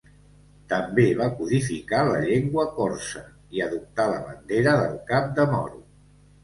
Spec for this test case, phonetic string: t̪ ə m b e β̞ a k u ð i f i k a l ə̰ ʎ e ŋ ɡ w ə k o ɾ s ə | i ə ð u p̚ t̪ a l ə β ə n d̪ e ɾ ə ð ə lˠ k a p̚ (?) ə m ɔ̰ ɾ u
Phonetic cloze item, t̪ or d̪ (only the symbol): d̪